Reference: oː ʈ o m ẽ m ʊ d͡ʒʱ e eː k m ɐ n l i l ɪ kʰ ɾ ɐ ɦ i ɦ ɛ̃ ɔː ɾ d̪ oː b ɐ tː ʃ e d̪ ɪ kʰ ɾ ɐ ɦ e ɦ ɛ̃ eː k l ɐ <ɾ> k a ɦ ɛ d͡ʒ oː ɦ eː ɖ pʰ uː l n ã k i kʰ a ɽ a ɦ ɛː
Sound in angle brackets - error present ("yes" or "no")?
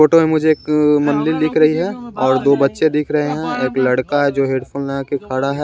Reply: yes